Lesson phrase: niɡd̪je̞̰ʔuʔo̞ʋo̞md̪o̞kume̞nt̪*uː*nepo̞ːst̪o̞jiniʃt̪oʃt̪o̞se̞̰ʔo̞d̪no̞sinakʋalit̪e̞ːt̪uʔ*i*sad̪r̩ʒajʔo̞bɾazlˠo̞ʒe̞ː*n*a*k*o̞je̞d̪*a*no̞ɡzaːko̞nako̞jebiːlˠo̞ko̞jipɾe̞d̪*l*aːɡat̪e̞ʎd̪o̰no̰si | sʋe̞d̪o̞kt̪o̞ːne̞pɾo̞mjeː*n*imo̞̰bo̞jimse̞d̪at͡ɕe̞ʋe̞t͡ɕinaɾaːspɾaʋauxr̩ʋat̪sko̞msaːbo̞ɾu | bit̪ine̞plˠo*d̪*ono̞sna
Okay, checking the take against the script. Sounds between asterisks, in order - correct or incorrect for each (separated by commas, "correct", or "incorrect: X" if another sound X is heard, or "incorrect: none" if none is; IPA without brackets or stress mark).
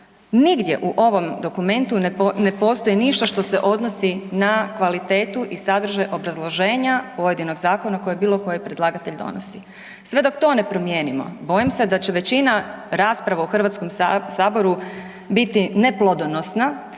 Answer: incorrect: u, correct, incorrect: ɲ, incorrect: p, incorrect: i, correct, correct, correct